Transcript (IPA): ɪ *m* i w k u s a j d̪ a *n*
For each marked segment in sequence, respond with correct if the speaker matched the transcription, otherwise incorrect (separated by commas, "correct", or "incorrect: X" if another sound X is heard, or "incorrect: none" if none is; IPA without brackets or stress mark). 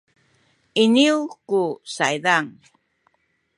incorrect: n, incorrect: ŋ